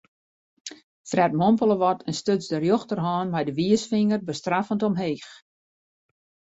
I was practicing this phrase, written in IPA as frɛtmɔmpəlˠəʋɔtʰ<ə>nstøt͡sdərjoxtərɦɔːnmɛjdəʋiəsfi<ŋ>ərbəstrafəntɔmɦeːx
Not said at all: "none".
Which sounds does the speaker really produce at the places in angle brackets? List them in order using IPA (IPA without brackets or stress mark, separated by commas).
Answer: ə, ŋ